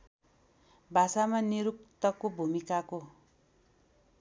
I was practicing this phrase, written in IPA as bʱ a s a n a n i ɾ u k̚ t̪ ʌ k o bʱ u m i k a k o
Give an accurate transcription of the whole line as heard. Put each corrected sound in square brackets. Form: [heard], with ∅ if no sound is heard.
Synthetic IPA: bʱ a s a [m] a n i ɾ u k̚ t̪ ʌ k o bʱ u m i k a k o